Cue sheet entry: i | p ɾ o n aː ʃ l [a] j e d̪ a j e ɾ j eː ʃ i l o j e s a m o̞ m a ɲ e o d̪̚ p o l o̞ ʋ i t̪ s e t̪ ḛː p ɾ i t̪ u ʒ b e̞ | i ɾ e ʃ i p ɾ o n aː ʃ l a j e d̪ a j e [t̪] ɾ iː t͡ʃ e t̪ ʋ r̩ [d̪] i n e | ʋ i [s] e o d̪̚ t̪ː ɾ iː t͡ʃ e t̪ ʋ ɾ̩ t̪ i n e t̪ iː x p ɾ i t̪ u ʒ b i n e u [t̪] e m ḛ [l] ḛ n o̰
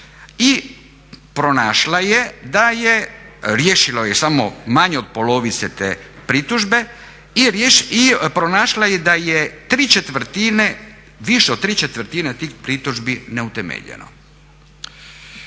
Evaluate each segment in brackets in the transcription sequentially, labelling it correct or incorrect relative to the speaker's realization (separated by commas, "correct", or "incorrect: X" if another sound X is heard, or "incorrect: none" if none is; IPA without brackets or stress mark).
correct, correct, incorrect: t̪, incorrect: ʃ, correct, incorrect: ʎ